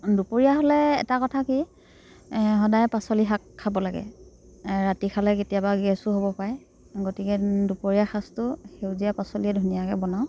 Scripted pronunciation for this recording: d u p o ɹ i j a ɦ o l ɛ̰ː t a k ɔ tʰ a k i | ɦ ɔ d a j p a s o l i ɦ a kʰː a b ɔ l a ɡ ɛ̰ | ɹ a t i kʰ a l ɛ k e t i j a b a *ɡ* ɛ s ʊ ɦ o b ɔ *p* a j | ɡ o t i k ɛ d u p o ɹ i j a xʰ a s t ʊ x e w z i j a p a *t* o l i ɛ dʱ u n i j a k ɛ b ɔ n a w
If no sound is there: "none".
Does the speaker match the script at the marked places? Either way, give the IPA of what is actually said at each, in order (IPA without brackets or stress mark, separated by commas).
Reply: ɡ, p, s